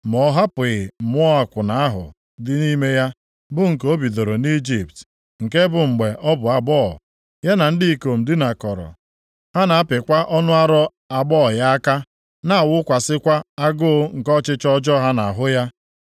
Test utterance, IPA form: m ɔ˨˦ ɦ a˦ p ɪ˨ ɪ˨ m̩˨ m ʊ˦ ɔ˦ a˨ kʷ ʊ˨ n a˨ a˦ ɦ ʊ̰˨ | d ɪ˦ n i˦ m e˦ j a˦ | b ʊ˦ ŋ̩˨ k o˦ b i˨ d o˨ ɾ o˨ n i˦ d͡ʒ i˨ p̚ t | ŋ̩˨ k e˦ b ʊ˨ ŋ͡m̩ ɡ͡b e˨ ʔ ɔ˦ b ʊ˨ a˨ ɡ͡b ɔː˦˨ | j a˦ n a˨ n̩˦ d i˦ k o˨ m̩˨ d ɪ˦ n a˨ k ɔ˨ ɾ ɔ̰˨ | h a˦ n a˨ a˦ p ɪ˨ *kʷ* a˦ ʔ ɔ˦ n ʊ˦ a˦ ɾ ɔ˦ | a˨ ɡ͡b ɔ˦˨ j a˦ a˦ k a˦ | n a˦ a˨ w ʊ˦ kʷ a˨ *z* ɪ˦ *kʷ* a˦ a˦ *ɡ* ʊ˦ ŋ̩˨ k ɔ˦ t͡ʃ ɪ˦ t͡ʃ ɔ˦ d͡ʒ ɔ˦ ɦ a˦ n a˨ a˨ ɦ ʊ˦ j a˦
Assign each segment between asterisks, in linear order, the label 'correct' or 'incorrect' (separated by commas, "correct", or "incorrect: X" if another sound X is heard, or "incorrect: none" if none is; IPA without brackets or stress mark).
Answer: correct, incorrect: s, correct, correct